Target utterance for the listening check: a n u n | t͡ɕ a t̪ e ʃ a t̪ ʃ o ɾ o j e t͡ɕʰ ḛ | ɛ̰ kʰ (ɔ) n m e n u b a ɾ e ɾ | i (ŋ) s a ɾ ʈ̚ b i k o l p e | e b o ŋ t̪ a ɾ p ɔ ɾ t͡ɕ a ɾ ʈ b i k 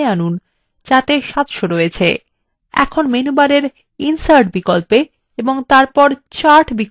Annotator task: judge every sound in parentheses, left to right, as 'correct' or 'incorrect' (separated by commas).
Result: incorrect, incorrect